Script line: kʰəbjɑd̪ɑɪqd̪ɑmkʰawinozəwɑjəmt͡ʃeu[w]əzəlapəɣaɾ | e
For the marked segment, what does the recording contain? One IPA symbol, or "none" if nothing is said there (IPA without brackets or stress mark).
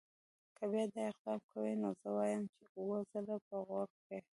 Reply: w